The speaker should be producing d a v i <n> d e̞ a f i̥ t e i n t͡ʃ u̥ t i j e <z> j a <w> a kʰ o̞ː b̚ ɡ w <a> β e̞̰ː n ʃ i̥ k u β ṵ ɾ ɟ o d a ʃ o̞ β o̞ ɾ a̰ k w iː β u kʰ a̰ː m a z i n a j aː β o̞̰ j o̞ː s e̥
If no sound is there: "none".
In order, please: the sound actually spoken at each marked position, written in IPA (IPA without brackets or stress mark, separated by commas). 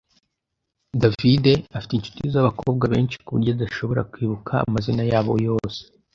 none, z, β, a